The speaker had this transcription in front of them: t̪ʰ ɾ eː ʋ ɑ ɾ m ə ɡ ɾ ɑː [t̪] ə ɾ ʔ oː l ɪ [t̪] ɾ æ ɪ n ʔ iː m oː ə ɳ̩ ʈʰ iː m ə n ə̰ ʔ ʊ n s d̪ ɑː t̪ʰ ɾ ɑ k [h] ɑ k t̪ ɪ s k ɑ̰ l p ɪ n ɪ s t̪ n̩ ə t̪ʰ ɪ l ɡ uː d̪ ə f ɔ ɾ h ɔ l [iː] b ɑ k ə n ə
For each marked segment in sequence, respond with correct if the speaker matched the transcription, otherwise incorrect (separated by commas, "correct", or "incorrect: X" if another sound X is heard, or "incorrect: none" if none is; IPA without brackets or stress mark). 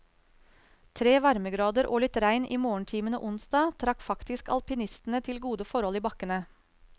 incorrect: d̪, correct, incorrect: f, correct